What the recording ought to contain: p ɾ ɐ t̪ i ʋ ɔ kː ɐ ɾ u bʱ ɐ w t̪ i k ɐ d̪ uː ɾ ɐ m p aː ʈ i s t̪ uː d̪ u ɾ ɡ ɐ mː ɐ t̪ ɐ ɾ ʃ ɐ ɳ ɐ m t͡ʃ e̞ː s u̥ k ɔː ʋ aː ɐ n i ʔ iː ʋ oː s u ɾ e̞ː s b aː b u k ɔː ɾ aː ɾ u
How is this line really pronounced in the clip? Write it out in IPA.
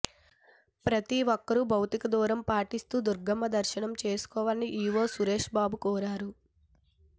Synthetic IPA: p ɾ ɐ t̪ i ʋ ɔ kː ɐ ɾ u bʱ ɐ w t̪ i k ɐ d̪ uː ɾ ɐ m p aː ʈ i s t̪ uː d̪ u ɾ ɡ ɐ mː ɐ d̪ ɐ ɾ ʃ ɐ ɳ ɐ m t͡ʃ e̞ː s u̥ k ɔː ʋ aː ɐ n i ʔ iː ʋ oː s u ɾ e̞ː ʂ b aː b u k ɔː ɾ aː ɾ u